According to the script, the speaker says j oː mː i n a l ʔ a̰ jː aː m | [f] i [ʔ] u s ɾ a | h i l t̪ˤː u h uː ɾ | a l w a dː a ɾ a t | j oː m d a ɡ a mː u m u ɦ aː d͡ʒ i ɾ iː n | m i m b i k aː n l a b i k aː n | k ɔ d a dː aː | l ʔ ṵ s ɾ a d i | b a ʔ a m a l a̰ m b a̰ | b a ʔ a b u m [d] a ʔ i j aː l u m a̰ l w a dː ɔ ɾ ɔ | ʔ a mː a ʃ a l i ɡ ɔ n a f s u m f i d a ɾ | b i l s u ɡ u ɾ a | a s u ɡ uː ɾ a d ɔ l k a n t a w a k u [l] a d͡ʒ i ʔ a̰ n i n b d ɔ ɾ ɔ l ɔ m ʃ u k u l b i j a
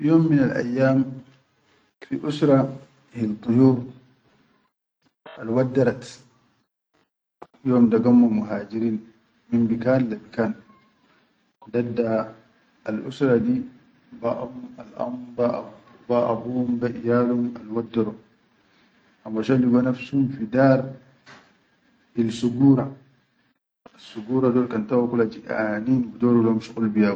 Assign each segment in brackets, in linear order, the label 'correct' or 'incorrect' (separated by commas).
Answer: correct, correct, incorrect, correct